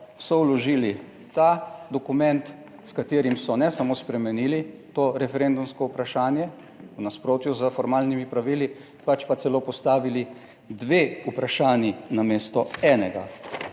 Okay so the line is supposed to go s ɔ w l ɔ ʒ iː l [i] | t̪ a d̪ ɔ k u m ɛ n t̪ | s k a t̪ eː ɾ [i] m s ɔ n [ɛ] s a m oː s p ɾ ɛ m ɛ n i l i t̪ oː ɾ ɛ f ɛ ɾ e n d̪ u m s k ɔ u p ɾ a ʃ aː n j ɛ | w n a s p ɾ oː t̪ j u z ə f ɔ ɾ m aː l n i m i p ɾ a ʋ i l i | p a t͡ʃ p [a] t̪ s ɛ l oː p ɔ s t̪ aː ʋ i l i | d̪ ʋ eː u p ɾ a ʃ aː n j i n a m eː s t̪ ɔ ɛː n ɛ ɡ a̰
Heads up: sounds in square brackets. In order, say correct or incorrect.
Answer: correct, correct, correct, correct

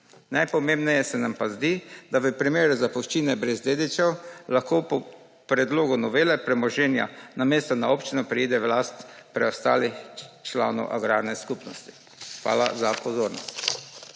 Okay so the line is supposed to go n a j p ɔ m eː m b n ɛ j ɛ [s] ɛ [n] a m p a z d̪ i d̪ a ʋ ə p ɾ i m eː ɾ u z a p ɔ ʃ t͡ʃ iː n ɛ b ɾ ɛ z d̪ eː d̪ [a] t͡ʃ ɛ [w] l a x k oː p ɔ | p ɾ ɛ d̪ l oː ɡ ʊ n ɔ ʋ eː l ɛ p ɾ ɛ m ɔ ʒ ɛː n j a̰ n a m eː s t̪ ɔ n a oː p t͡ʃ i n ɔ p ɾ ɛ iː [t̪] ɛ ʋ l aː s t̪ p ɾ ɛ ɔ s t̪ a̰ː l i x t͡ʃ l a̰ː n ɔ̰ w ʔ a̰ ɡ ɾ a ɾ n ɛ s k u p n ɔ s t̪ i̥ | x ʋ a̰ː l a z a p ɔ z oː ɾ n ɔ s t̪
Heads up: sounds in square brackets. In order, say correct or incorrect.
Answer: correct, correct, incorrect: i, correct, incorrect: d̪

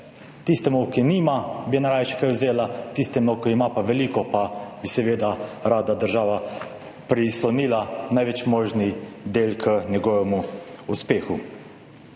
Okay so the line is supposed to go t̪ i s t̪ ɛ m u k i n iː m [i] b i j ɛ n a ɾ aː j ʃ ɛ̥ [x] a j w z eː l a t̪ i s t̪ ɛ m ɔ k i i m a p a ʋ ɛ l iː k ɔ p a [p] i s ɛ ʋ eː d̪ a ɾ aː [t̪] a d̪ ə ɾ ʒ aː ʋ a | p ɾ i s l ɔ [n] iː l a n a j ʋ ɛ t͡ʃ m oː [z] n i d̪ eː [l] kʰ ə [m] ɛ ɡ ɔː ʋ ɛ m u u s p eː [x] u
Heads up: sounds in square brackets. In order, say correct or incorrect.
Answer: incorrect: a, incorrect: k, incorrect: b, incorrect: d̪, correct, incorrect: ʒ, correct, incorrect: n, correct

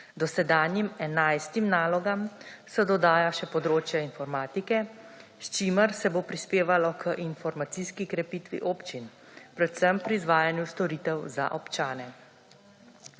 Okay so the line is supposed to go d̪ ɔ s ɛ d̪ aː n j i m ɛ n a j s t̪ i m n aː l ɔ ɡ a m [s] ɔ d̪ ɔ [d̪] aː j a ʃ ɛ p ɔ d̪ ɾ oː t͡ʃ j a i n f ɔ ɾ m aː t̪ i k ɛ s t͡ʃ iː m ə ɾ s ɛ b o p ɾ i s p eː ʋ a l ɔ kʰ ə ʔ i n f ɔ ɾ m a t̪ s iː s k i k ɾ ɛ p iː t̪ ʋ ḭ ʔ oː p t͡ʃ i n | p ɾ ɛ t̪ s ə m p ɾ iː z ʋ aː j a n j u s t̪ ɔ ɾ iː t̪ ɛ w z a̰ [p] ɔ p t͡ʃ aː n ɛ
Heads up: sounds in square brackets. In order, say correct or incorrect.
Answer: correct, correct, incorrect: ʔ

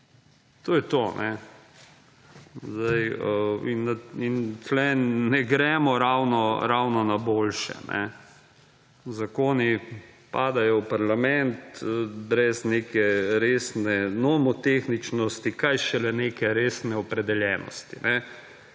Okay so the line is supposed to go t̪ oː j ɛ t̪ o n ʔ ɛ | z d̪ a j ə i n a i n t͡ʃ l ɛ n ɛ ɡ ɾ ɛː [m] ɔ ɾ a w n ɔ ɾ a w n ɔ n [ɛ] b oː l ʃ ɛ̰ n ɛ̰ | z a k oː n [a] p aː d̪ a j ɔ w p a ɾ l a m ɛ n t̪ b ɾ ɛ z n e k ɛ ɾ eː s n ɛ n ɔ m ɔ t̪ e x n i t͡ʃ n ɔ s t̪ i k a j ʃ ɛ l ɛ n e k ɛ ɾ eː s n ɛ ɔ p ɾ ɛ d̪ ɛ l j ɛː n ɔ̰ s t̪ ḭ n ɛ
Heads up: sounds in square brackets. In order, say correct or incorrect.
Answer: correct, incorrect: a, incorrect: i

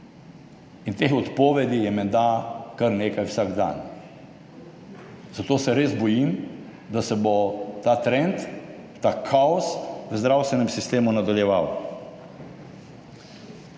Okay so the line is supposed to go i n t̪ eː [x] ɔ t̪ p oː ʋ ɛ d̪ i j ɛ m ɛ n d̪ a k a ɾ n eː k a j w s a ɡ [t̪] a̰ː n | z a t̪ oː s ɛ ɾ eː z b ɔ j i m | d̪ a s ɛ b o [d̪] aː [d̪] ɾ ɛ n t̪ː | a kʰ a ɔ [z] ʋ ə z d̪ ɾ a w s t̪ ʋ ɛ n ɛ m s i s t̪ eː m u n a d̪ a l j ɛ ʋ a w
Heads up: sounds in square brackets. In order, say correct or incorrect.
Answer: correct, incorrect: d̪, incorrect: t̪, incorrect: t̪, incorrect: s

